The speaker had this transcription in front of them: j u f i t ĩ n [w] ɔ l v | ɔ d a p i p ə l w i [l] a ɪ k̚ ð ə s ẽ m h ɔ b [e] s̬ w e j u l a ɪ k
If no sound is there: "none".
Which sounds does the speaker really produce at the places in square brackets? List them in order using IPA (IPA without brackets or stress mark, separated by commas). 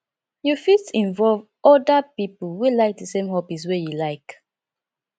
v, l, i